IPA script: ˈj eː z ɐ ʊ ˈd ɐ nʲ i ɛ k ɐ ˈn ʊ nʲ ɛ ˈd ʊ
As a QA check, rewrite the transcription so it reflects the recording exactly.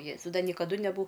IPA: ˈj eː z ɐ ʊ ˈd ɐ nʲ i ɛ k ɐ ˈd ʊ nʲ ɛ ˈb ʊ